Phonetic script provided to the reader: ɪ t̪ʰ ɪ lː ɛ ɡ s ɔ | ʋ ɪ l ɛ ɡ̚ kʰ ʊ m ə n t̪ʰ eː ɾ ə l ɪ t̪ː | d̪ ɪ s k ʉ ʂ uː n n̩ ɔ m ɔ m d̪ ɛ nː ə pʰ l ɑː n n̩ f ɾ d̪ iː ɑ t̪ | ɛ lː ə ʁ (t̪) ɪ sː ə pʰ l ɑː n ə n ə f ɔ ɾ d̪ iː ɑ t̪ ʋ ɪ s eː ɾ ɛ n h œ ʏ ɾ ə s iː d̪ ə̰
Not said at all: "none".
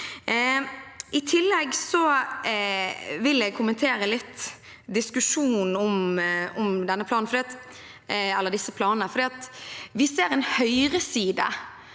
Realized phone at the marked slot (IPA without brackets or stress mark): d̪